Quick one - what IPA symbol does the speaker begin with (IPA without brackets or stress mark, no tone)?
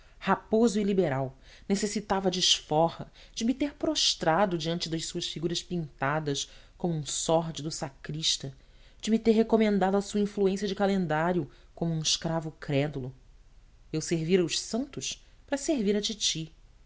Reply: h